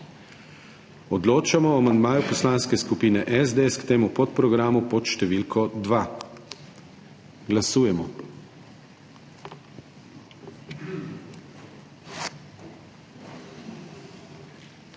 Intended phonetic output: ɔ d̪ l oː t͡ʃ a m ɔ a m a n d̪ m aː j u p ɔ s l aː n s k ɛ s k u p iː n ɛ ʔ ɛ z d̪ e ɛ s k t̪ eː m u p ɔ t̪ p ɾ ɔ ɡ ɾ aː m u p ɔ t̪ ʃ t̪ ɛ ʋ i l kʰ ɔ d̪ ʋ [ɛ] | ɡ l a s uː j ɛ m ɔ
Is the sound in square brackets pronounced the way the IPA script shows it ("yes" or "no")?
no